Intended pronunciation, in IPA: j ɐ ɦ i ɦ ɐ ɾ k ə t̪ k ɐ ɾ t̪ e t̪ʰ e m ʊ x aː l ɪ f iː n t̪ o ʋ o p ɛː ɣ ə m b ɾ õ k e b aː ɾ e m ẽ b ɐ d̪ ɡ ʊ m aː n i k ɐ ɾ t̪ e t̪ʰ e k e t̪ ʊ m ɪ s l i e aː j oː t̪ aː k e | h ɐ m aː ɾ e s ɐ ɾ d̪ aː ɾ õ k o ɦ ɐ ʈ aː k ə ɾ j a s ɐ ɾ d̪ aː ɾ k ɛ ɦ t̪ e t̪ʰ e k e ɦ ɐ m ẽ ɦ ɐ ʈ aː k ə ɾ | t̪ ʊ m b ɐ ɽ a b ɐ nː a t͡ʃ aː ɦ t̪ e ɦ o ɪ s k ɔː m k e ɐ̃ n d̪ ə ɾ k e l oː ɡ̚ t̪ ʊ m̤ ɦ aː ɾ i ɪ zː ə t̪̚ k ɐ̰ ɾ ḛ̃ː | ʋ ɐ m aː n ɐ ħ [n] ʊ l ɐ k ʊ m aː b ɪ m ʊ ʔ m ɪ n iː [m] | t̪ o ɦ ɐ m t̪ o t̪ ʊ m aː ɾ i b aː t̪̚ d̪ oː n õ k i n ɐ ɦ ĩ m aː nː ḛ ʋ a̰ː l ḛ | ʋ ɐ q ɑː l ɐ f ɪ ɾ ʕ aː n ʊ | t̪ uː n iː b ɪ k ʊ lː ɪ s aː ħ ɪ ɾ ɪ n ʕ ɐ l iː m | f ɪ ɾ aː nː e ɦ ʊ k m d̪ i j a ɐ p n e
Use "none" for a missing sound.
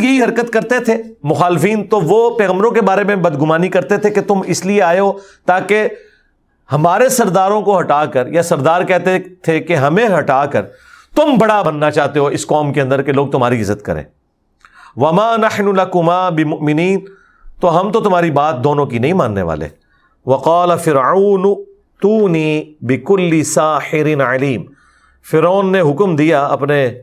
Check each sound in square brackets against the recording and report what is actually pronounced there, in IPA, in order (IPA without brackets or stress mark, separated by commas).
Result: n, n